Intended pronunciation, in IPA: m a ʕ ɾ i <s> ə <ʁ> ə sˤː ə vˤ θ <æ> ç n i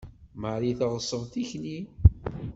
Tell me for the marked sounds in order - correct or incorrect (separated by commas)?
incorrect, correct, incorrect